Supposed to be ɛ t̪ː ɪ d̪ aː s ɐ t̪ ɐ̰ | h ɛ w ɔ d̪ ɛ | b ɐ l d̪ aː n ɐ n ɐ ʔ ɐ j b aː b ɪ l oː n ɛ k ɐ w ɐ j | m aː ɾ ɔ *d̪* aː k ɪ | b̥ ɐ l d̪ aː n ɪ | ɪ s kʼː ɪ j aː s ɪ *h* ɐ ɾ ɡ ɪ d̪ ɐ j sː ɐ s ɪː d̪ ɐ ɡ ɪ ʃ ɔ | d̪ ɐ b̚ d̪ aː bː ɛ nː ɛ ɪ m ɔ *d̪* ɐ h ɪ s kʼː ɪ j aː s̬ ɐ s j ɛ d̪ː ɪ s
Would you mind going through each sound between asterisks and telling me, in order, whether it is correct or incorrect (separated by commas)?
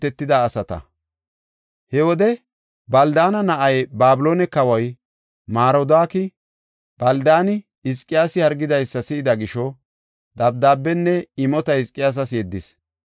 correct, correct, incorrect